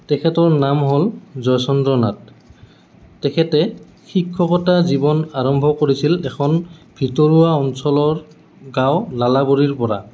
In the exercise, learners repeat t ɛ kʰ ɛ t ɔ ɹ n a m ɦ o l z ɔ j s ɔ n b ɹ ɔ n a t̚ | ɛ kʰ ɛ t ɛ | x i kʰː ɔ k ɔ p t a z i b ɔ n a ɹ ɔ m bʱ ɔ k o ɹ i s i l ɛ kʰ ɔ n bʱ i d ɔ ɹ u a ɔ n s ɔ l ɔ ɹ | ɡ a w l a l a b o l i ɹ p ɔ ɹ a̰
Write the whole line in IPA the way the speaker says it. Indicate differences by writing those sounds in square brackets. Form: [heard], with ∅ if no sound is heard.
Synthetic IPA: t ɛ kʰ ɛ t ɔ ɹ n a m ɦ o l z ɔ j s ɔ n [d] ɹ ɔ n a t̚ | ɛ kʰ ɛ t ɛ | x i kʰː ɔ k ɔ [∅] t a z i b ɔ n a ɹ ɔ m bʱ ɔ k o ɹ i s i l ɛ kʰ ɔ n bʱ i [t] ɔ ɹ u a ɔ n s ɔ l ɔ ɹ | ɡ a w l a l a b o [ɹ] i ɹ p ɔ ɹ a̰